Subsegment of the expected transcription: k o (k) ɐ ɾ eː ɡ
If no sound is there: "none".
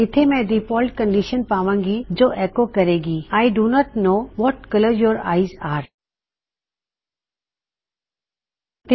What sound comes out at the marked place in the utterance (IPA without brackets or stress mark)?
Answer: k